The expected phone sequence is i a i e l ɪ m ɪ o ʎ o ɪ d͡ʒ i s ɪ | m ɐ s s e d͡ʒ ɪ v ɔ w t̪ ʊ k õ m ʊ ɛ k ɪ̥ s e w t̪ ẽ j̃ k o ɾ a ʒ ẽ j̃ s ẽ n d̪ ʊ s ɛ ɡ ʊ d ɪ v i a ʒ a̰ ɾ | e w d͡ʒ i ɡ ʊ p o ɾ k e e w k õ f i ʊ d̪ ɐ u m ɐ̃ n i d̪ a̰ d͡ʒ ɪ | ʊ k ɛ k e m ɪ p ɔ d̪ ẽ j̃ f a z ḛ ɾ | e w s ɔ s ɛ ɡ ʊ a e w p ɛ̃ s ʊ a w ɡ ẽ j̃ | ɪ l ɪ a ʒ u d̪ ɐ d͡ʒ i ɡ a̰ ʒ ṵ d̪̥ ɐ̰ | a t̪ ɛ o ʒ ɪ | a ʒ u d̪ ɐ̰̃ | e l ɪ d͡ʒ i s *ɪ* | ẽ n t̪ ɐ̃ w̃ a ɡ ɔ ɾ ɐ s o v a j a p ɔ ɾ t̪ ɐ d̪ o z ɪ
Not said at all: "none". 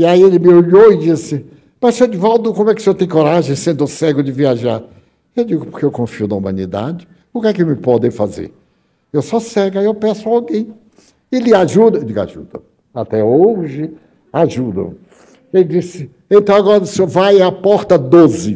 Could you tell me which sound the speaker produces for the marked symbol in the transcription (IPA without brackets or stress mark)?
ɪ